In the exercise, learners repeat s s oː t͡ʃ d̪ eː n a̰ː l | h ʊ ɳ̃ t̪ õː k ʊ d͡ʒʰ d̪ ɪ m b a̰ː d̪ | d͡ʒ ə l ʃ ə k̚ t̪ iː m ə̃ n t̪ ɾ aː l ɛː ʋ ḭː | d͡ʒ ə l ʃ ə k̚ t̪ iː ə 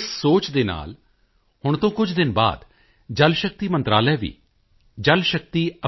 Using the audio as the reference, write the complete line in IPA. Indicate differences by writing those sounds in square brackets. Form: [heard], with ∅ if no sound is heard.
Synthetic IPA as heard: s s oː t͡ʃ d̪ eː n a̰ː l | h ʊ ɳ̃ t̪ õː k ʊ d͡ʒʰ d̪ ɪ [n] b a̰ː d̪ | d͡ʒ ə l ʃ ə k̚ t̪ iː m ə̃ n t̪ ɾ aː l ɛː ʋ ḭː | d͡ʒ ə l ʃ ə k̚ t̪ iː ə